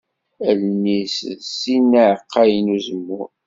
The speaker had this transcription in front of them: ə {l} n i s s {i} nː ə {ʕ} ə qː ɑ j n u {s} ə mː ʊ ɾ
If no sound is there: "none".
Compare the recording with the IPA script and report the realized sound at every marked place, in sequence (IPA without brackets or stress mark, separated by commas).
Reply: l, i, ʕ, z